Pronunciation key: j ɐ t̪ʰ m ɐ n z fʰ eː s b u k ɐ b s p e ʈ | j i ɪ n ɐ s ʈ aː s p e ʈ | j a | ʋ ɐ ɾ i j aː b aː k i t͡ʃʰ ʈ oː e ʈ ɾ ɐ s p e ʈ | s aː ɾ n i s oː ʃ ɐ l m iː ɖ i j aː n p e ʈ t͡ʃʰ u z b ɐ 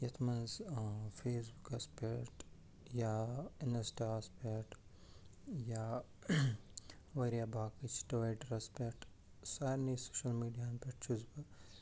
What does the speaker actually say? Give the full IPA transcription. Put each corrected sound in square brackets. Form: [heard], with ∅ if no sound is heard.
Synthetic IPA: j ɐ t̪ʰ m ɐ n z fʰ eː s b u k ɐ [∅] s p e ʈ | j [a] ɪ n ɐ s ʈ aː s p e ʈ | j a | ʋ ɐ ɾ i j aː b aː k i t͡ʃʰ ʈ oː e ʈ ɾ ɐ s p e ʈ | s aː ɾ n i s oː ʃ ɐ l m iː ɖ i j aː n p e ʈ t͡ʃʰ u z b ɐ